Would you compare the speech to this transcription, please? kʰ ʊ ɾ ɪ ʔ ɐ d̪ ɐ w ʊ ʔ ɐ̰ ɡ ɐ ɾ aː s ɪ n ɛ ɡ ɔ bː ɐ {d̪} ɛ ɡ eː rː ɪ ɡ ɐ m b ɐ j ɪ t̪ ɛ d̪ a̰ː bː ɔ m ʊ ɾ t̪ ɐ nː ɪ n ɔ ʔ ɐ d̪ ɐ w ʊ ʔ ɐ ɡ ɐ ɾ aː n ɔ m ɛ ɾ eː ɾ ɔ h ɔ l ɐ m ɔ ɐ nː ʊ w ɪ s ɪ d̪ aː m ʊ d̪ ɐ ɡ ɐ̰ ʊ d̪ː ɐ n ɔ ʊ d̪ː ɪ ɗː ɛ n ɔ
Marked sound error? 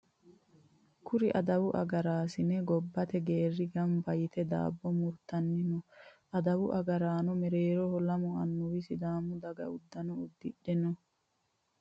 yes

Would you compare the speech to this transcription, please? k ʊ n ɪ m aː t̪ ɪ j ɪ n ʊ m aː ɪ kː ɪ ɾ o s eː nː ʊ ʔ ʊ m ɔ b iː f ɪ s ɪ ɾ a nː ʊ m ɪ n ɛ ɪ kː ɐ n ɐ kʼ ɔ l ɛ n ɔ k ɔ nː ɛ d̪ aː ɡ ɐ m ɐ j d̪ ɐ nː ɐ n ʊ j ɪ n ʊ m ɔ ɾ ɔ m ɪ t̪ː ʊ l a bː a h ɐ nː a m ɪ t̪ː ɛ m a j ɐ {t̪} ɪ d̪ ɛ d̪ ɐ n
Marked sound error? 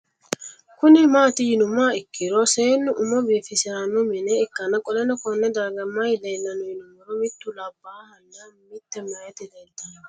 no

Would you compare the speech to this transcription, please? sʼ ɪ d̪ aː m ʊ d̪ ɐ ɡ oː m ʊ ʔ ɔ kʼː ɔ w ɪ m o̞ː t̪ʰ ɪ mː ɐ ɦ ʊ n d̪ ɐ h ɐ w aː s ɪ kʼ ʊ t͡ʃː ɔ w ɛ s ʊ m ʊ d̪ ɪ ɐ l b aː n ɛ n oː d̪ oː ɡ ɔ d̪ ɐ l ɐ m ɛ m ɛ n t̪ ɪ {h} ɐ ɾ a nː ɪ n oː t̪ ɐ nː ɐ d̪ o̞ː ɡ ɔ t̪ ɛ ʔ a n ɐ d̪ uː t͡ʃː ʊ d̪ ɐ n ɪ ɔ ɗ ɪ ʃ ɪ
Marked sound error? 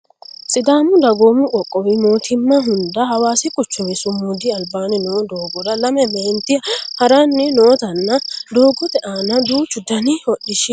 no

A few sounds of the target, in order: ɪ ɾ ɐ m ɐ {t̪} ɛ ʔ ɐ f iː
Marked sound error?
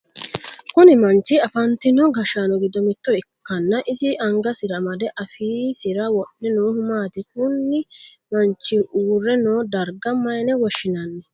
yes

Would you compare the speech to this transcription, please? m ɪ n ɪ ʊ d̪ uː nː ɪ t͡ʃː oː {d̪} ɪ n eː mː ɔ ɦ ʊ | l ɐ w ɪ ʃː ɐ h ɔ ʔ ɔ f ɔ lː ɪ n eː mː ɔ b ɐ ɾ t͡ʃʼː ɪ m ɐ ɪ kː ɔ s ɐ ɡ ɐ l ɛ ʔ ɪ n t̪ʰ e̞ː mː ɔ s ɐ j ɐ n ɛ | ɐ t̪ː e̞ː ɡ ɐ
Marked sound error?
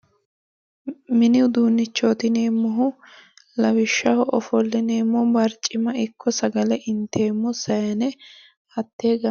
yes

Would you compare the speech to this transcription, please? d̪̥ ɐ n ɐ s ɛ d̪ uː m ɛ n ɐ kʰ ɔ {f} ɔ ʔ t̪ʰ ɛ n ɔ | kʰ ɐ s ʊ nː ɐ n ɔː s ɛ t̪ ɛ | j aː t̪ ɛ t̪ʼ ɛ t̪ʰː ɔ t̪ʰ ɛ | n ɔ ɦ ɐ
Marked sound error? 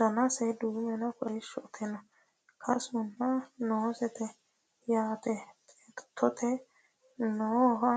yes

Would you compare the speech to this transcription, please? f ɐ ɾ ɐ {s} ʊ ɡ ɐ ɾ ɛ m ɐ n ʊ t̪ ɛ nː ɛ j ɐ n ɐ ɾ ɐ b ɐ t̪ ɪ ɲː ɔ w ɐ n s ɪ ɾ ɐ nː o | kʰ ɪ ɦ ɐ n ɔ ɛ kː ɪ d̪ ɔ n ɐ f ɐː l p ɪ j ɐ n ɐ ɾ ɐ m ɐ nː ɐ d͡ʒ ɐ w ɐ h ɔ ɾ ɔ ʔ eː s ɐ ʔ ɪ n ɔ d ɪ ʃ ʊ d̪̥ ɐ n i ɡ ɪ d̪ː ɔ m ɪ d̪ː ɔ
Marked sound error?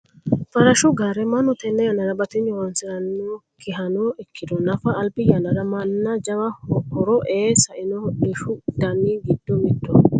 yes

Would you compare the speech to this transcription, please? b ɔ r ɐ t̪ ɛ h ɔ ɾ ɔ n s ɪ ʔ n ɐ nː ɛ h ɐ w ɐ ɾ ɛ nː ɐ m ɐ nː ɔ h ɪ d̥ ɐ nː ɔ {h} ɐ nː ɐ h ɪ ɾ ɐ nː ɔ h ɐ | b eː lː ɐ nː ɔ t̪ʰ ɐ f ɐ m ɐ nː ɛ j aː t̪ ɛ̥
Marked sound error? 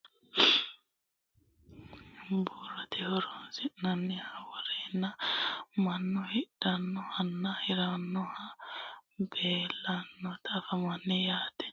no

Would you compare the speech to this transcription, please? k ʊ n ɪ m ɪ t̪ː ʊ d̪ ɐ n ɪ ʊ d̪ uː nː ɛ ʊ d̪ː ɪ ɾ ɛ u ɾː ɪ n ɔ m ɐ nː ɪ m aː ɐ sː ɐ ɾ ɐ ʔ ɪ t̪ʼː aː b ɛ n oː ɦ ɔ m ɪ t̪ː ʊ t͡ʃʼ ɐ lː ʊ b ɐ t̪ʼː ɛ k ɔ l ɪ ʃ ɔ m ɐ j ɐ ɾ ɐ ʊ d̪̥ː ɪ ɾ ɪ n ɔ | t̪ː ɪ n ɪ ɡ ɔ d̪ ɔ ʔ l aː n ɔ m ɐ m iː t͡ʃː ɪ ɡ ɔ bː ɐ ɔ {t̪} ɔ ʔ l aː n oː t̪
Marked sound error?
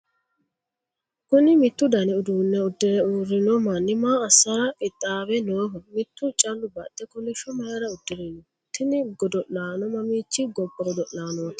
yes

